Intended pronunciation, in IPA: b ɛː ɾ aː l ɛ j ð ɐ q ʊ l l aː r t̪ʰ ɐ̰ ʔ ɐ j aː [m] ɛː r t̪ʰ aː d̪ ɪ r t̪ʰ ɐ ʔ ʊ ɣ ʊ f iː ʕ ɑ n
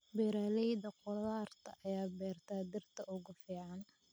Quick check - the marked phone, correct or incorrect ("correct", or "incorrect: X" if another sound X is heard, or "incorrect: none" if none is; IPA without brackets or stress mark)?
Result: incorrect: b